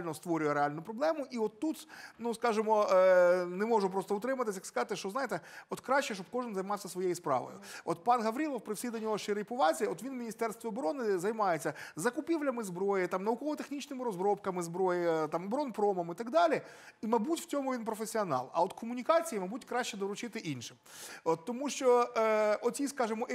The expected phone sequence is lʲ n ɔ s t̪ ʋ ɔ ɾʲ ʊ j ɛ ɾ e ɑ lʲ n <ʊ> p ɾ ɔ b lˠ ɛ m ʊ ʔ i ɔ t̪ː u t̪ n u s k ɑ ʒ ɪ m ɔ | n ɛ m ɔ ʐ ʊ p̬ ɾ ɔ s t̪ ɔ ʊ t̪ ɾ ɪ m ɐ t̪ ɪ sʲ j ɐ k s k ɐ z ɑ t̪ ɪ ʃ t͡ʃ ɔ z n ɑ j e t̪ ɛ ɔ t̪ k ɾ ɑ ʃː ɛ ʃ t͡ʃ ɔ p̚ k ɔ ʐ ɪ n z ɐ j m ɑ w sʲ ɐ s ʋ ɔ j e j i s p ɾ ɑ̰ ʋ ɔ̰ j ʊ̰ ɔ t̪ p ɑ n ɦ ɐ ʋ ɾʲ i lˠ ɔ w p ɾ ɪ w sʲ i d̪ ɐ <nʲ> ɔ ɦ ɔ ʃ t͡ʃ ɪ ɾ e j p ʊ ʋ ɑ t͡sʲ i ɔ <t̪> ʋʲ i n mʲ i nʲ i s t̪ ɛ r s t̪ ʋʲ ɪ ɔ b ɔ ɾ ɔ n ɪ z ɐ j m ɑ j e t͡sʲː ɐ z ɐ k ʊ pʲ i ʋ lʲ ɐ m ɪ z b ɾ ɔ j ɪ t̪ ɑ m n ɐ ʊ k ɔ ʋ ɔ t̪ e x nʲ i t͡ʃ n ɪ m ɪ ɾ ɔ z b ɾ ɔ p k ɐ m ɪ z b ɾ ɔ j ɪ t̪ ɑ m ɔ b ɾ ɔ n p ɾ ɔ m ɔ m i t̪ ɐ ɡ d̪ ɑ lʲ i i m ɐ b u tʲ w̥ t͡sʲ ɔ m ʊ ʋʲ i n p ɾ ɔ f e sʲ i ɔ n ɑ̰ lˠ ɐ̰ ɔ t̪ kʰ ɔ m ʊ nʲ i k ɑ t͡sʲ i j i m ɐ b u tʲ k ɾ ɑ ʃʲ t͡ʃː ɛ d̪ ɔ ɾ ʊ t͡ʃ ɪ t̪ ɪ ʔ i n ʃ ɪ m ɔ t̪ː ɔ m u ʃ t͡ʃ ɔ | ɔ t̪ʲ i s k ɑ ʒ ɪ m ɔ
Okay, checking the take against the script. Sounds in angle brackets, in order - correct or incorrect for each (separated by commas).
correct, correct, correct